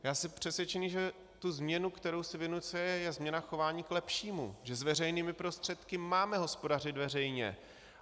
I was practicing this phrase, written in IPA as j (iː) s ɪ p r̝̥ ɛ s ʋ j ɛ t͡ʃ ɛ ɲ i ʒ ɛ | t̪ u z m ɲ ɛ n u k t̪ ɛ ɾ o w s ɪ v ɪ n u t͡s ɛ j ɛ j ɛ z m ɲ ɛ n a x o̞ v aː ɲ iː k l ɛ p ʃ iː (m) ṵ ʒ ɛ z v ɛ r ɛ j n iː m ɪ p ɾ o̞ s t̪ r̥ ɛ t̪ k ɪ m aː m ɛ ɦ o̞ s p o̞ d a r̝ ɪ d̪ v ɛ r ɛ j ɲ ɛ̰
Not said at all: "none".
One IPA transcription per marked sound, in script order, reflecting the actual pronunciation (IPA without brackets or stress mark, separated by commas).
aː, m